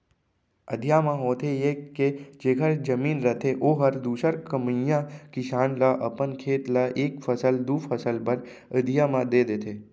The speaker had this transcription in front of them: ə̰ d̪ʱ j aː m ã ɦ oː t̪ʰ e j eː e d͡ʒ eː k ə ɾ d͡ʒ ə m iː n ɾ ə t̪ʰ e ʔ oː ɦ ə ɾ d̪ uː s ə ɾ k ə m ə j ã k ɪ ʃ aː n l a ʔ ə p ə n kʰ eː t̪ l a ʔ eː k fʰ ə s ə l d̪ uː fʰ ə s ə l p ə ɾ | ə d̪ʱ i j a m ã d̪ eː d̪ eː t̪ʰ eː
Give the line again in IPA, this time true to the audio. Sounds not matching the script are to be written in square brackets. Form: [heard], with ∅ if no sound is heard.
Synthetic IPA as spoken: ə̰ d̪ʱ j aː m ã ɦ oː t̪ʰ e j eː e d͡ʒ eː k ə ɾ d͡ʒ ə m iː n ɾ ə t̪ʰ e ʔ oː ɦ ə ɾ d̪ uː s ə ɾ k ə m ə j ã k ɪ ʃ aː n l a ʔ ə p ə n kʰ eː t̪ l a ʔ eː k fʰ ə s ə l d̪ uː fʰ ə s ə l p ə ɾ | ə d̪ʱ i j a m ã d̪ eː d̪ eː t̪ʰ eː